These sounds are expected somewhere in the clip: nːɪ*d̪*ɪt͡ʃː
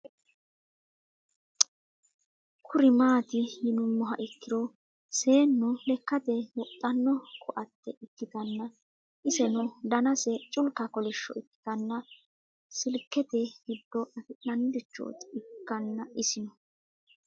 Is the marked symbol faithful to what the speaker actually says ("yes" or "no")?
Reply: yes